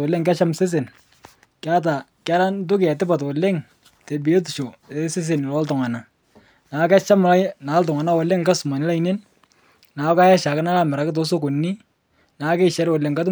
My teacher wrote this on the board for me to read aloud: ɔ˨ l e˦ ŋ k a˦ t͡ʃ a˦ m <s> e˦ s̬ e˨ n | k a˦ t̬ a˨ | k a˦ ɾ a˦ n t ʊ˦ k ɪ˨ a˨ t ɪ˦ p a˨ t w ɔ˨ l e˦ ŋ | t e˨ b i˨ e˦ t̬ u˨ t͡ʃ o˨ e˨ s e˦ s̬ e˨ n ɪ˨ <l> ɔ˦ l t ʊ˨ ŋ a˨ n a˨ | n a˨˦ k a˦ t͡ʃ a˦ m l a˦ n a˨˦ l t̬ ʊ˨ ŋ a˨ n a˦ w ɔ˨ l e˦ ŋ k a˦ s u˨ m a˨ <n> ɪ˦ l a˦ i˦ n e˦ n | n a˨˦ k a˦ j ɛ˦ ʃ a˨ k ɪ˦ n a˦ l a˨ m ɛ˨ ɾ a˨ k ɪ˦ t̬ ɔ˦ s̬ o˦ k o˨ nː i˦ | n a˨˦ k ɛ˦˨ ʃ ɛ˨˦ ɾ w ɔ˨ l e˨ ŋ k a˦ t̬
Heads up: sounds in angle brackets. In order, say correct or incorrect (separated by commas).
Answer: correct, correct, correct